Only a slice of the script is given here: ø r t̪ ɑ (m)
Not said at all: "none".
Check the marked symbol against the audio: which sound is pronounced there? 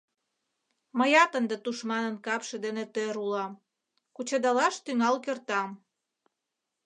m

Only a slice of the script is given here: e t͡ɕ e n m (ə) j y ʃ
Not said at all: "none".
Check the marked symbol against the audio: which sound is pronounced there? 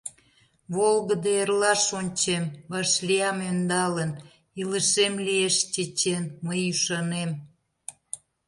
ə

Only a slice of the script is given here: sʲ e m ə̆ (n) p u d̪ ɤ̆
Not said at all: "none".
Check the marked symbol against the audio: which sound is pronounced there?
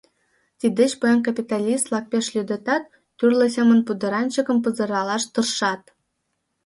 n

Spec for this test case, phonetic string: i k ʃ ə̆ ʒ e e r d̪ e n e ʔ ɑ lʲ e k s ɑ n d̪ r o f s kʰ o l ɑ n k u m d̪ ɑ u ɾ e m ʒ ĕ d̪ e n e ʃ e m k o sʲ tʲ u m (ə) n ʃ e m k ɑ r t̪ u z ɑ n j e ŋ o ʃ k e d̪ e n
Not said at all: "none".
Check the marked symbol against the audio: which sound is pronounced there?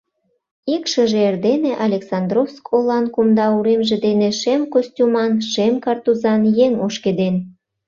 ɑ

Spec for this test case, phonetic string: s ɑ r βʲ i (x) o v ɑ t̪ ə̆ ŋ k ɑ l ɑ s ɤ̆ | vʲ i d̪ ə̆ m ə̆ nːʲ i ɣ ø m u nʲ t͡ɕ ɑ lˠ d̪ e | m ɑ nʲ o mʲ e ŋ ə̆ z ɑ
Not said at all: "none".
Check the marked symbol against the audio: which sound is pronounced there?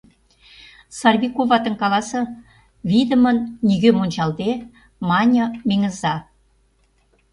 k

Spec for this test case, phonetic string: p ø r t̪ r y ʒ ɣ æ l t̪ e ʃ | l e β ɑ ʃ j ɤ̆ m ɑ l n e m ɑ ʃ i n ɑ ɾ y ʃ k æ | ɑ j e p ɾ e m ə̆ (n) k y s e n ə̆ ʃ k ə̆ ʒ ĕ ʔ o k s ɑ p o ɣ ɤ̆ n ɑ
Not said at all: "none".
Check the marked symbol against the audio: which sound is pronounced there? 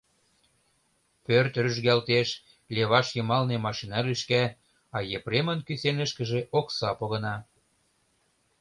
n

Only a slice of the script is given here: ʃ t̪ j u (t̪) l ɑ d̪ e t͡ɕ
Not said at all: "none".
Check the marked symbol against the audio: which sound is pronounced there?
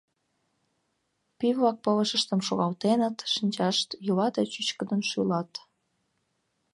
none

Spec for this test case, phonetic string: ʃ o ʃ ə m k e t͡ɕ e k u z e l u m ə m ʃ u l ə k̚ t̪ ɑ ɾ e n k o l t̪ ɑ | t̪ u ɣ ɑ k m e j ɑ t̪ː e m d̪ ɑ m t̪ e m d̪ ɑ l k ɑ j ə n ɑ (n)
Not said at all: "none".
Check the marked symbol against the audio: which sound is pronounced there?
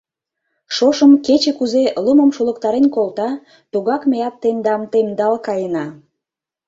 none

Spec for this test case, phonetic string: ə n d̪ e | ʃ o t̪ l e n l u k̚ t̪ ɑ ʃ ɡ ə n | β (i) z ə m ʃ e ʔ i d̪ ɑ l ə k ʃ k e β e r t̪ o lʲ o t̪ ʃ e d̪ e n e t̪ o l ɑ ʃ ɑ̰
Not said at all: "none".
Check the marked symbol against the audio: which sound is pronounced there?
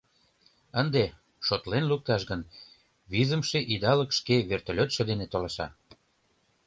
i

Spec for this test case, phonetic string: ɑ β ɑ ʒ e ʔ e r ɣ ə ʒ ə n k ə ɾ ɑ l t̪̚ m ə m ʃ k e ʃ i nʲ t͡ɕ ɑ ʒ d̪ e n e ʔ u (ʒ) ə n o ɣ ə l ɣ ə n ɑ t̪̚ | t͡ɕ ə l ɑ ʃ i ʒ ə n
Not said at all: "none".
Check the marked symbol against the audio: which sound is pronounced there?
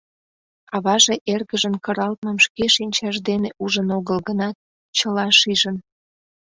ʒ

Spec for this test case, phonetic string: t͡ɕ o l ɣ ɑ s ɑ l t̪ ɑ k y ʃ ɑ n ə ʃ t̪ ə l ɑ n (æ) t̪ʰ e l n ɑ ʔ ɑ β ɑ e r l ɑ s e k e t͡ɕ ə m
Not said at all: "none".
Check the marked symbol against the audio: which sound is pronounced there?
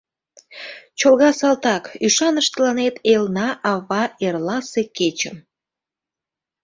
e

